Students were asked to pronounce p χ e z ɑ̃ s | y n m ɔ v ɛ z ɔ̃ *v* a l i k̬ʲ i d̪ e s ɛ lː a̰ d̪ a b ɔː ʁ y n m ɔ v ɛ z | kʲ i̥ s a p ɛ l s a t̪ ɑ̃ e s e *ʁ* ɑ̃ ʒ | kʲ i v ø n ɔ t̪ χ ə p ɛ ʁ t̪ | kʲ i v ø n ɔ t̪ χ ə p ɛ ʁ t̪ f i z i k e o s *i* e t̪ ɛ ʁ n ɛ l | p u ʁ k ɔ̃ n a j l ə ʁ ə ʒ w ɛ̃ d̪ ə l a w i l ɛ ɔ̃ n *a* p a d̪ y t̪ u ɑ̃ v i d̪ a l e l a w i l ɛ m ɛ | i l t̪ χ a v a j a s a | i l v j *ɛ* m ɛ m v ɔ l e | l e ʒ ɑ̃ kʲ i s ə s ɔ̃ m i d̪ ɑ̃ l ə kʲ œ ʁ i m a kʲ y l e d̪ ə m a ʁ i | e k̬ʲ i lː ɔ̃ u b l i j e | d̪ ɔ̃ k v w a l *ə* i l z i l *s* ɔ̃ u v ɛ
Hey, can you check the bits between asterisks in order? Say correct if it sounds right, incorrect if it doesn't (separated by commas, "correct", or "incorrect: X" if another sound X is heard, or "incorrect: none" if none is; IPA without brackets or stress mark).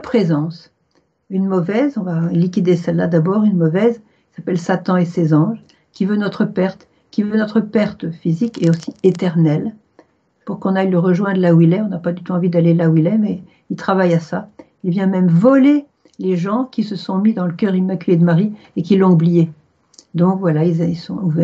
correct, incorrect: z, correct, correct, incorrect: ɛ̃, incorrect: a, correct